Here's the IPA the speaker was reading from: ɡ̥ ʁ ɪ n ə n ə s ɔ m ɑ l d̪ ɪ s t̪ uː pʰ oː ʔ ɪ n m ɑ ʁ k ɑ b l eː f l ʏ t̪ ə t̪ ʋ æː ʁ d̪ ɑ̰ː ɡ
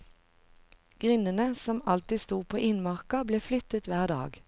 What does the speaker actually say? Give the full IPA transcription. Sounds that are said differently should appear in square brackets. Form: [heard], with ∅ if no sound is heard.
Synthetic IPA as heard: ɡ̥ ʁ ɪ n ə n ə s ɔ m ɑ l [t̪] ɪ s t̪ uː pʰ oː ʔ ɪ n m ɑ ʁ k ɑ b l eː f l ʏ t̪ ə t̪ ʋ æː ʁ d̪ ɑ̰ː ɡ